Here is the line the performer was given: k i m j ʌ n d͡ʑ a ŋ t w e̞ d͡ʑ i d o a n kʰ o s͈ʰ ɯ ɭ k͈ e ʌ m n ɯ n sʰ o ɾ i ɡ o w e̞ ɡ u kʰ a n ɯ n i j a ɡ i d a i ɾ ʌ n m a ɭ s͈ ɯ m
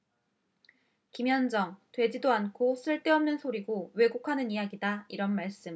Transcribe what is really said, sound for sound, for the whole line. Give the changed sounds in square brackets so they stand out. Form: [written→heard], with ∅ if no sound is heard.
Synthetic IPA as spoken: k i m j ʌ n d͡ʑ [a→ʌ] ŋ t w e̞ d͡ʑ i d o a n kʰ o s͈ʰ ɯ ɭ [k͈→t͈] e ʌ m n ɯ n sʰ o ɾ i ɡ o w e̞ ɡ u kʰ a n ɯ n i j a ɡ i d a i ɾ ʌ n m a ɭ s͈ ɯ m